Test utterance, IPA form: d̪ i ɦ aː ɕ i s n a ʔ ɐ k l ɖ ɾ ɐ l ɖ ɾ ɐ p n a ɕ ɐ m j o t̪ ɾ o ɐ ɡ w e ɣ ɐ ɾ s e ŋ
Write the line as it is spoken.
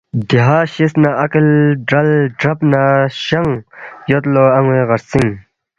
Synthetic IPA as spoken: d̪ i ɦ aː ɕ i s n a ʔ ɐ k l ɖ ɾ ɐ l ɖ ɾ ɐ p n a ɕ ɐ ŋ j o t̪ l o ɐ ŋ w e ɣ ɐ ɾ s i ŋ